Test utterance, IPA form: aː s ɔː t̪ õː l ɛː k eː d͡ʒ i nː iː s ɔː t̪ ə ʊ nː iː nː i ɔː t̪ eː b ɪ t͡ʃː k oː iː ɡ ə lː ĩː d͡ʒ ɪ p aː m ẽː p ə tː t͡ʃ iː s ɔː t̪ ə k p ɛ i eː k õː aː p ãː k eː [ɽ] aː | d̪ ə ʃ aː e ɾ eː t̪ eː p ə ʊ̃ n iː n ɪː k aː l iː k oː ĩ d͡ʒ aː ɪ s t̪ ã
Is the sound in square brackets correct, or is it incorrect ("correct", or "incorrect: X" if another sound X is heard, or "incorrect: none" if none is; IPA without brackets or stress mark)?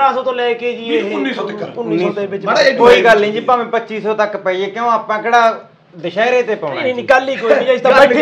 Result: correct